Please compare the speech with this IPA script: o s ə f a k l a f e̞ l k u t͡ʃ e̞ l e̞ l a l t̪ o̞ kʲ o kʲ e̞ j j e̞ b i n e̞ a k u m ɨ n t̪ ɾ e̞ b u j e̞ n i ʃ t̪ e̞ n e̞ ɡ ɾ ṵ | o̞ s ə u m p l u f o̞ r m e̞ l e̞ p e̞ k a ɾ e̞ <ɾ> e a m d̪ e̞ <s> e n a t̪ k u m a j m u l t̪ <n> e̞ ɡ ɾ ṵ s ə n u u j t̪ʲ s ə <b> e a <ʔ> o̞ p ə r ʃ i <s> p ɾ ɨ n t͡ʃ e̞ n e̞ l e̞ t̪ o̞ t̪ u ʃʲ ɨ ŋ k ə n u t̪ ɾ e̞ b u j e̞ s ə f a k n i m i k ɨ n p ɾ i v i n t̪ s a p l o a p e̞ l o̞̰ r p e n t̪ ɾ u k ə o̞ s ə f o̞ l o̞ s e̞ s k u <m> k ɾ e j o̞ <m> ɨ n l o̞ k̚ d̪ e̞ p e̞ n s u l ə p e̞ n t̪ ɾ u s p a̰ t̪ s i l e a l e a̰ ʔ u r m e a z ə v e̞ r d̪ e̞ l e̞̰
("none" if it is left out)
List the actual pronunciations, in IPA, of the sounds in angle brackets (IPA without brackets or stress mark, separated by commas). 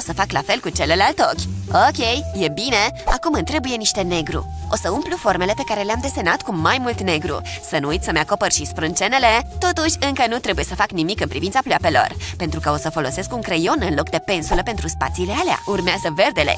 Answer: l, s, n, m, k, s, ŋ, n